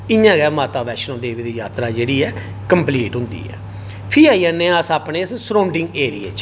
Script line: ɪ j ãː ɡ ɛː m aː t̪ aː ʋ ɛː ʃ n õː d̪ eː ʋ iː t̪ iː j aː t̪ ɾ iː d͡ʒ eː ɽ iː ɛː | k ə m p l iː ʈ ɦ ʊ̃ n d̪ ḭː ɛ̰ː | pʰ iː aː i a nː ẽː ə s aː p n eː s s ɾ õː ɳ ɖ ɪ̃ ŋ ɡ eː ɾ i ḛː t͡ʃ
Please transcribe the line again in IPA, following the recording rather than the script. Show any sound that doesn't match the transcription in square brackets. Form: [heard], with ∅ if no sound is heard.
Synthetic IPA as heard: ɪ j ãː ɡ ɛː m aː t̪ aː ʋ ɛː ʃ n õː d̪ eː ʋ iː [d̪] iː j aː t̪ ɾ [aː] d͡ʒ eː ɽ iː ɛː | k ə m p l iː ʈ ɦ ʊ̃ n d̪ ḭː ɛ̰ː | pʰ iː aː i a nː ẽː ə s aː p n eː s s ɾ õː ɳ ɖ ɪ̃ ŋ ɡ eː ɾ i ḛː t͡ʃ